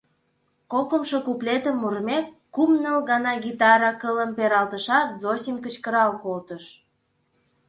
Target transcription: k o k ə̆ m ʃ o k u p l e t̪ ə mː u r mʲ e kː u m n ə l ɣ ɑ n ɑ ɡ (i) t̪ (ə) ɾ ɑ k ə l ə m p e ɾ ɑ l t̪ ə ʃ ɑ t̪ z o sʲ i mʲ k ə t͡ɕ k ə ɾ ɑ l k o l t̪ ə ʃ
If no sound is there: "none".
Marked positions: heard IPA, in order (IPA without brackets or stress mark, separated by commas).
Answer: i, ɑ